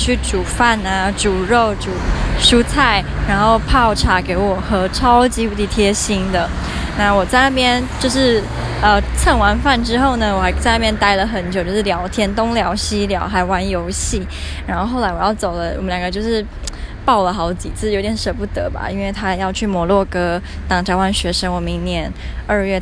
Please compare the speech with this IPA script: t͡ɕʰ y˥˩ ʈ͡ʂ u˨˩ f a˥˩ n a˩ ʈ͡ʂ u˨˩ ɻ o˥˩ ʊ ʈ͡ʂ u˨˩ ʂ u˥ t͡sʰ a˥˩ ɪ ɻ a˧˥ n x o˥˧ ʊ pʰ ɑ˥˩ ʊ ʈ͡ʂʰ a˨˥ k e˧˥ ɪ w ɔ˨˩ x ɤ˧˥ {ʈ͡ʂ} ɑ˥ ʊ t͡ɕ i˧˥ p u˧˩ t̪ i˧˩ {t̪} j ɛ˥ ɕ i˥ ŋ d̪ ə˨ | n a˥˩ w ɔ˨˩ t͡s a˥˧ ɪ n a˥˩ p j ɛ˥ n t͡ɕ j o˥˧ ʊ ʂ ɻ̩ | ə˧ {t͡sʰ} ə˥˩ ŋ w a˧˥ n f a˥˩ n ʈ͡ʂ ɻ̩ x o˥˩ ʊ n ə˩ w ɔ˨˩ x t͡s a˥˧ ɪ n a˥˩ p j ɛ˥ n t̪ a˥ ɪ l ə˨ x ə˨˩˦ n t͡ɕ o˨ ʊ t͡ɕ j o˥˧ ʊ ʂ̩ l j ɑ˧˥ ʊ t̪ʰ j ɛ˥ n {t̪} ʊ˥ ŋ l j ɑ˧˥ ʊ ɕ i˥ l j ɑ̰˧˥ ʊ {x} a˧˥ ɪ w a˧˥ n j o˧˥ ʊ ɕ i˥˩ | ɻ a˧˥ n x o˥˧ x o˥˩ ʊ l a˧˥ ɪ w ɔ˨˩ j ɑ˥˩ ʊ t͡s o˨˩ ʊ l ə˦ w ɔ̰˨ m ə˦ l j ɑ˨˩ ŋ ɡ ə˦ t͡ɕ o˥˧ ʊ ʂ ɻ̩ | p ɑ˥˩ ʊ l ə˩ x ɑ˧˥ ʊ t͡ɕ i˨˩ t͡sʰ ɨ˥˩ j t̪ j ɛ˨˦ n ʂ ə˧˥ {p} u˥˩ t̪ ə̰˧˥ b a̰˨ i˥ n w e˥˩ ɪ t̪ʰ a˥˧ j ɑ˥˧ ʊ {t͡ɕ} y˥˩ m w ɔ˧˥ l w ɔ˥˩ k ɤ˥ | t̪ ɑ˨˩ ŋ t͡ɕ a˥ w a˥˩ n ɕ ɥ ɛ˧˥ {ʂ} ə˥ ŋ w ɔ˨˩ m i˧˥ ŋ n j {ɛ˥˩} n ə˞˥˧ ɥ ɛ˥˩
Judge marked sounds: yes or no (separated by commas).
no, no, yes, yes, yes, yes, no, yes, no